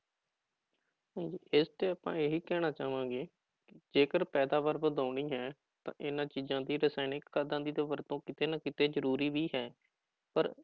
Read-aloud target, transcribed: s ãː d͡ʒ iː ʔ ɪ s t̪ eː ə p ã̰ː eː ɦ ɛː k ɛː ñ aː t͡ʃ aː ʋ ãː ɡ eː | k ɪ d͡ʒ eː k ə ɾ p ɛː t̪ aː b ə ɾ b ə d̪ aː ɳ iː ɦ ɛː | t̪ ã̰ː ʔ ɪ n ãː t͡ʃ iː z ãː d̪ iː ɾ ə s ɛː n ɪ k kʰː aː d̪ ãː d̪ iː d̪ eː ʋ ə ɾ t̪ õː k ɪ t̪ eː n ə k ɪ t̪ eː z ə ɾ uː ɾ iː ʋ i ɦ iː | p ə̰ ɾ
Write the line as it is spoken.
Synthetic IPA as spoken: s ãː d͡ʒ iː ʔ ɪ s t̪ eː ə p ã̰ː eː ɦ iː k ɛː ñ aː t͡ʃ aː ʋ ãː ɡ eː | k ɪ d͡ʒ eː k ə ɾ p ɛː d̪ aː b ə ɾ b ə d̪ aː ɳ iː ɦ ɛː | t̪ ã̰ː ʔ ɪ n ãː t͡ʃ iː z ãː d̪ iː ɾ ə s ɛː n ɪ k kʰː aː d̪ ãː d̪ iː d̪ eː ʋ ə ɾ t̪ õː k ɪ t̪ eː n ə k ɪ t̪ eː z ə ɾ uː ɾ iː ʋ iː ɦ ɛː | p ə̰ ɾ